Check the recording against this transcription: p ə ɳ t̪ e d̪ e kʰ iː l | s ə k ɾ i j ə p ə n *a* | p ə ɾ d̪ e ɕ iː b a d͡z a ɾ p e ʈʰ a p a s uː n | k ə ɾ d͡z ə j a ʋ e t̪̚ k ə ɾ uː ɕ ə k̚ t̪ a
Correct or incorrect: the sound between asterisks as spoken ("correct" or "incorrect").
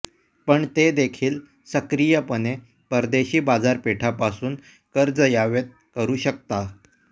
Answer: incorrect